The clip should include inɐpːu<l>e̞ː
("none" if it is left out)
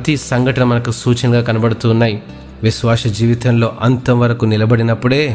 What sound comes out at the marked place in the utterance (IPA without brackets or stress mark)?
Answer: ɽ